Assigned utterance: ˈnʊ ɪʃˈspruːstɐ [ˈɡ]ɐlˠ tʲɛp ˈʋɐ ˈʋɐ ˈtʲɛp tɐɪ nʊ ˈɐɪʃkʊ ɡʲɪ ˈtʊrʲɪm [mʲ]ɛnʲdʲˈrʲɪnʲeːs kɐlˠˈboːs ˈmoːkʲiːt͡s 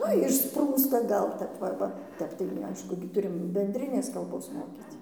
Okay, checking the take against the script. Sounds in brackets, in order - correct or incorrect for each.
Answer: correct, incorrect: bʲ

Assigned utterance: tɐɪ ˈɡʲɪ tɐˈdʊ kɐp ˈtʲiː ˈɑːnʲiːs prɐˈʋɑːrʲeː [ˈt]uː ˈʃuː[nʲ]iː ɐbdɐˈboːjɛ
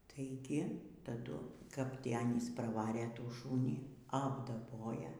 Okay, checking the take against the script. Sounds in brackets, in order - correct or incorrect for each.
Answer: correct, correct

